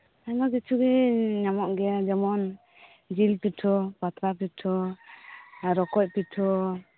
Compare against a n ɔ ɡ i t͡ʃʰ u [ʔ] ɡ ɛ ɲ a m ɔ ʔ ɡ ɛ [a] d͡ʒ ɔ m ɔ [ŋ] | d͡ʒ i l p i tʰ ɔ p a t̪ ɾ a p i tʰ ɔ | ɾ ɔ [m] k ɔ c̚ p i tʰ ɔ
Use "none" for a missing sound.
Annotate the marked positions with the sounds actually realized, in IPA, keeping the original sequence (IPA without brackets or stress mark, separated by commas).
none, a, n, none